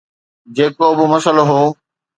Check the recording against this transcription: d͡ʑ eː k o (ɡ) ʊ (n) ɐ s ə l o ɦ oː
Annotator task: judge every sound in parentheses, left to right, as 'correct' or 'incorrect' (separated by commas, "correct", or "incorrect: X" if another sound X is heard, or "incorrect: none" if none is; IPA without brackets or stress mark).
incorrect: b, incorrect: m